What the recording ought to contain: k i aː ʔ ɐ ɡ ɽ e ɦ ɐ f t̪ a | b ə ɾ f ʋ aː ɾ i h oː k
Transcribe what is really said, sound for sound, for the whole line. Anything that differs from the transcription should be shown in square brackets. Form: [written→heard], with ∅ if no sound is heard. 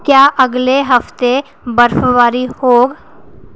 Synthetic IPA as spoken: k [i→j] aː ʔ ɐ ɡ [ɽ→l] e ɦ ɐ f t̪ [a→e] | b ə ɾ f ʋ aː ɾ i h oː [k→ɡ]